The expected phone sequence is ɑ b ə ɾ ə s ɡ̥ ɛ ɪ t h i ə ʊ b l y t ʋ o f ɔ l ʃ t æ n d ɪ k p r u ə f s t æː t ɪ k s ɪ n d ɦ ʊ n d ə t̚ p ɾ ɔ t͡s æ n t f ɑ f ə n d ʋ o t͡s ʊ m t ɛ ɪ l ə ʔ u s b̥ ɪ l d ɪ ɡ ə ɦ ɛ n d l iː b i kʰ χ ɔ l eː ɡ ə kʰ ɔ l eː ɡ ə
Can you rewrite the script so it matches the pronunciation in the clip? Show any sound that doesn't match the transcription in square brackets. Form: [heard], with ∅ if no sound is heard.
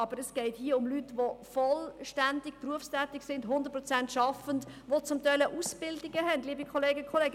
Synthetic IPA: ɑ b ə ɾ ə s ɡ̥ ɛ ɪ t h i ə ʊ [m] l y t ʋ o f ɔ l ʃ t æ n d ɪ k p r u ə f s t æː t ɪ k s ɪ n d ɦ ʊ n d ə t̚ p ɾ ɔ t͡s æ n t [ʃ] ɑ f ə n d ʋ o t͡s ʊ m t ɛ ɪ l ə ʔ u s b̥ ɪ l d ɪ ɡ ə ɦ ɛ n d l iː b i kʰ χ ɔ l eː ɡ ə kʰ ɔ l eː ɡ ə

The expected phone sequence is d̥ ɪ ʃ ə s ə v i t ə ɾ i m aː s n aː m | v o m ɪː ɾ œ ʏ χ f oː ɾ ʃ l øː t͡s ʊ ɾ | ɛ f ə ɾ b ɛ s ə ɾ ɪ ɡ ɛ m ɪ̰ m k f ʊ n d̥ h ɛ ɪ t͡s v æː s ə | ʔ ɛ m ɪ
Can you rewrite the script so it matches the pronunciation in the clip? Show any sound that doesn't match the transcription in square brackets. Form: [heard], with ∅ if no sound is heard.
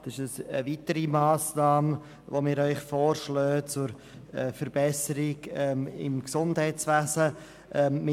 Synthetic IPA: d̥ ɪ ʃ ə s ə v i t ə ɾ i m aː s n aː m | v o m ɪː ɾ œ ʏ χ f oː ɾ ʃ l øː t͡s ʊ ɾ | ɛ f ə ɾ b ɛ s ə ɾ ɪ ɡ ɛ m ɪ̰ m k [s] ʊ n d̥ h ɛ ɪ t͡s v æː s ə | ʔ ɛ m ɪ

